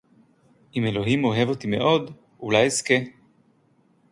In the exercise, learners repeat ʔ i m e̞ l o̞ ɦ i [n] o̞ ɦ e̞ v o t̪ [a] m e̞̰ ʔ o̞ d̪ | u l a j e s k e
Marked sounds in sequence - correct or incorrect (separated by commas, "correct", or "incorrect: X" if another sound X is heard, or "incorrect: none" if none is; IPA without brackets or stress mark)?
incorrect: m, incorrect: i